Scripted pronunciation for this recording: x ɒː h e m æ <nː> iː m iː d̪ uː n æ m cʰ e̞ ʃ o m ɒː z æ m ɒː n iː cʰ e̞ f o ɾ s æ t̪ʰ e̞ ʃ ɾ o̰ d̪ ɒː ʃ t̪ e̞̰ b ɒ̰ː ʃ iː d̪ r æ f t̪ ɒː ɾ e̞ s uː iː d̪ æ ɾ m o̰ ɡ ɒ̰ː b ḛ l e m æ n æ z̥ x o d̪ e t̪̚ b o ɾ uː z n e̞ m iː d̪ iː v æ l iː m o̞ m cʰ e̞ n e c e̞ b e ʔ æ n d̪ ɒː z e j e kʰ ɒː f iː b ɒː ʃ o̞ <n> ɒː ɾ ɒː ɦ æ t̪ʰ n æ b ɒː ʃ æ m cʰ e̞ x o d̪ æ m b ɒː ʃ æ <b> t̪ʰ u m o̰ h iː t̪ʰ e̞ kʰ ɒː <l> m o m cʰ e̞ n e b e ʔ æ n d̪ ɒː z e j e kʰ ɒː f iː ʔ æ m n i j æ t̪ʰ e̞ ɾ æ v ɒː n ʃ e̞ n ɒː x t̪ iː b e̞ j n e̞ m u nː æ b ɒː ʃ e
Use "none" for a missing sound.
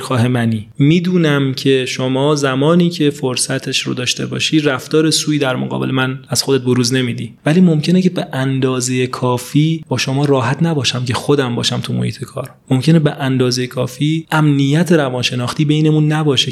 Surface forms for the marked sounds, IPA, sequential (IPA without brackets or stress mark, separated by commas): n, m, m, ɾ